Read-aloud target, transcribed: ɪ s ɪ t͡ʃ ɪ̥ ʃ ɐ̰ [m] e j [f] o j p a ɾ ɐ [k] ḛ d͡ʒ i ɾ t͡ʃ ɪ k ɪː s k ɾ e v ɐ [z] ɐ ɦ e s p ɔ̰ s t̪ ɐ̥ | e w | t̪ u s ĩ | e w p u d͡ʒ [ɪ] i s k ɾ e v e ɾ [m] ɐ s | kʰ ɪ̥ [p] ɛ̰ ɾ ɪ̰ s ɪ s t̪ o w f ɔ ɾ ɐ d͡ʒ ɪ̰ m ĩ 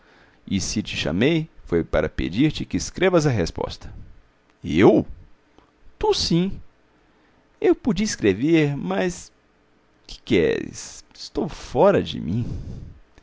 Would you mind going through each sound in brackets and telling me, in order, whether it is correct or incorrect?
correct, correct, incorrect, correct, incorrect, correct, incorrect

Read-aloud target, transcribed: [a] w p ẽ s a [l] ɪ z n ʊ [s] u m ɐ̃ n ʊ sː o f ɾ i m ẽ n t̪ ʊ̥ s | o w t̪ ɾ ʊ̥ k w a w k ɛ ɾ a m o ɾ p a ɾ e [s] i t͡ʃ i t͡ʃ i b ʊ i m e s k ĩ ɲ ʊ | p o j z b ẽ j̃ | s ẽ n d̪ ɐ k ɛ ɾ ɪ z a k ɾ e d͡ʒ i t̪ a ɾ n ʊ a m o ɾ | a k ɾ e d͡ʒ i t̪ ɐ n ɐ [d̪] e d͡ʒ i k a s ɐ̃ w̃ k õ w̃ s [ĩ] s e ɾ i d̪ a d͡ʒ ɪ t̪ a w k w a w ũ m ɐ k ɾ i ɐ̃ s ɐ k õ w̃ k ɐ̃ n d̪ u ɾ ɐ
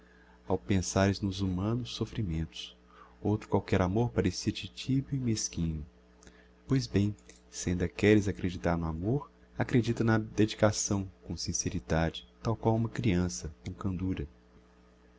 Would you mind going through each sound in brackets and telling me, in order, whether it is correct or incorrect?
correct, incorrect, incorrect, correct, correct, correct

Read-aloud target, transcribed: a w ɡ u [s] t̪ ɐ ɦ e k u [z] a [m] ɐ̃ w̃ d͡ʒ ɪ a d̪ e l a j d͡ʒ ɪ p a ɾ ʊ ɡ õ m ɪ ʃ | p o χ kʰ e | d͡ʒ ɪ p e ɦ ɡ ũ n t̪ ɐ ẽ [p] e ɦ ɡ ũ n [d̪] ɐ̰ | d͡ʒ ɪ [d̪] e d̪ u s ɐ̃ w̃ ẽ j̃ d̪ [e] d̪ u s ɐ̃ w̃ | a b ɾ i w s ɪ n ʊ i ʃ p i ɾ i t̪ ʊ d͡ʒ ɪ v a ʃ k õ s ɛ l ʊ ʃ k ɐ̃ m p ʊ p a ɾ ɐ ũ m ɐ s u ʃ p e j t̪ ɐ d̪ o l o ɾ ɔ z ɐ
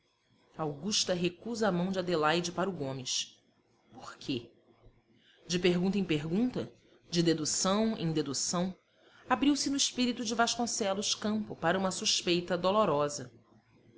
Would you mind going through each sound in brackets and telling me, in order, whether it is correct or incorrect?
incorrect, correct, correct, correct, incorrect, correct, correct

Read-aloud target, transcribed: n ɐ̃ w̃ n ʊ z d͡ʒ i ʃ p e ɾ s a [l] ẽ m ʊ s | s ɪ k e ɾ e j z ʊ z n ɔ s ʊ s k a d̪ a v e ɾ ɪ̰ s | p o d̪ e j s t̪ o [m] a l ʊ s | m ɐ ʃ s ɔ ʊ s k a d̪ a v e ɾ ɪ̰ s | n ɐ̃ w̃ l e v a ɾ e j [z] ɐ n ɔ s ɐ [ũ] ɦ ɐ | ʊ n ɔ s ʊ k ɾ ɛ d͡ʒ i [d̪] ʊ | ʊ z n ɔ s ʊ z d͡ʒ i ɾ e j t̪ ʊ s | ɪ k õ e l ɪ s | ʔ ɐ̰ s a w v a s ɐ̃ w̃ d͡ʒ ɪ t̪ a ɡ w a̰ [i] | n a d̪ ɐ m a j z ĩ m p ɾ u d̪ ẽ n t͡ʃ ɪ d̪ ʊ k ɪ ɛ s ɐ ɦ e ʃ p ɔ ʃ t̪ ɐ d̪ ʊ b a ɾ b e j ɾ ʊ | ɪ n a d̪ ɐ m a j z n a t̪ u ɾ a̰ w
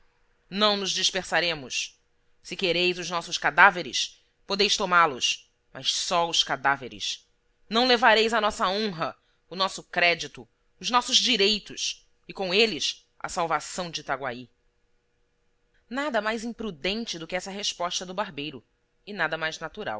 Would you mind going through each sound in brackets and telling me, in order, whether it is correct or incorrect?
incorrect, correct, correct, incorrect, incorrect, correct

